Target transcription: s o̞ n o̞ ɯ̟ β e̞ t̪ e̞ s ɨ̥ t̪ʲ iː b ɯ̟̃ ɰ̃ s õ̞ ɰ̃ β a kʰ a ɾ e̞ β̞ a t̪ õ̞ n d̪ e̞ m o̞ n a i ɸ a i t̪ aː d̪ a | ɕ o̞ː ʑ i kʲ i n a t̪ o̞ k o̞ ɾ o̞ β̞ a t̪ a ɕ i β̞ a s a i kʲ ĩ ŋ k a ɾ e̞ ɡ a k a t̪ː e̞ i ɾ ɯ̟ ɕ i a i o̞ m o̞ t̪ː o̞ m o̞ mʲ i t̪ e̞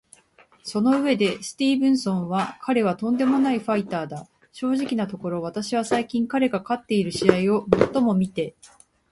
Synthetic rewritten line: s o̞ n o̞ ɯ̟ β e̞ d̪ e̞ s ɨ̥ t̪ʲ iː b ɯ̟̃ ɰ̃ s õ̞ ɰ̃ β a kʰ a ɾ e̞ β̞ a t̪ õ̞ n d̪ e̞ m o̞ n a i ɸ a i t̪ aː d̪ a | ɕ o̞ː ʑ i kʲ i n a t̪ o̞ k o̞ ɾ o̞ β̞ a t̪ a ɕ i β̞ a s a i kʲ ĩ ŋ k a ɾ e̞ ɡ a k a t̪ː e̞ i ɾ ɯ̟ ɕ i a i o̞ m o̞ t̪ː o̞ m o̞ mʲ i t̪ e̞

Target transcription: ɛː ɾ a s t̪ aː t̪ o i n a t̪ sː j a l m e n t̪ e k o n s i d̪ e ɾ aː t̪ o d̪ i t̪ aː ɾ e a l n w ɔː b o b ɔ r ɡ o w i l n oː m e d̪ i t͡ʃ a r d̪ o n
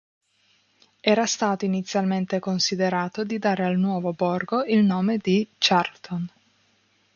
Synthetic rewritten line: ɛː ɾ a s t̪ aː t̪ o i n i t̪ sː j a l m e n t̪ e k o n s i d̪ e ɾ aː t̪ o d̪ i d̪ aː ɾ e a l n w ɔː v o b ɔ r ɡ o i l n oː m e d̪ i t͡ʃ a r t̪ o n

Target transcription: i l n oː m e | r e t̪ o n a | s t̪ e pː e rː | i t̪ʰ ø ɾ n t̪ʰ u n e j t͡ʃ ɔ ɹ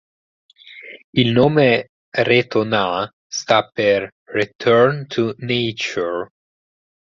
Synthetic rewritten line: i l n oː m e | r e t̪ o n a | s t̪ a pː e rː | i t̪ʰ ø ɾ n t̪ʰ u n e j t͡ʃ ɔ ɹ

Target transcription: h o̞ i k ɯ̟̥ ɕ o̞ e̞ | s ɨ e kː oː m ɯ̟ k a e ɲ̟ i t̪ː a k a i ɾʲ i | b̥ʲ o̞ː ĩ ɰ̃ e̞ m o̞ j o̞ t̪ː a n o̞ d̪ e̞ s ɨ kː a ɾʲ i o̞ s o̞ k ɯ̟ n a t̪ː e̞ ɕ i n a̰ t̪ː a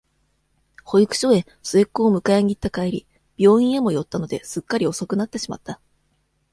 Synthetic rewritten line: h o̞ i k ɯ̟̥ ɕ o̞ e̞ | s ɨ e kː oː m ɯ̟ k a e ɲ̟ i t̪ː a k a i ɾʲ i | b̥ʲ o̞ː ĩ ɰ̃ e̞ m o̞ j o̞ t̪ː a n o̞ d̪ e̞ s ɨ kː a ɾʲ i o̞ s o̞ k ɯ̟ n a t̪ː e̞ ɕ i m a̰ t̪ː a

